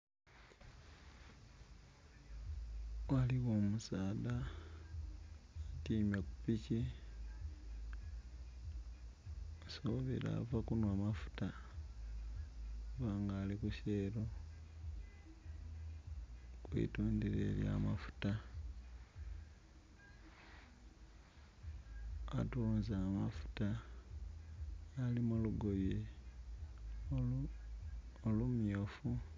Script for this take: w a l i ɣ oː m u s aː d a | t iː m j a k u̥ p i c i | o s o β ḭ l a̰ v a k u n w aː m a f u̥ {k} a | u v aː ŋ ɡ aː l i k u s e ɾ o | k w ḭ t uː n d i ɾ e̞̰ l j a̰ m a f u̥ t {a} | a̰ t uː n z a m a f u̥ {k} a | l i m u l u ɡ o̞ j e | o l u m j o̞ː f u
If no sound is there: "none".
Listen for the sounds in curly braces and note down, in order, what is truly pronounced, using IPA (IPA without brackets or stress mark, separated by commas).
t, a, t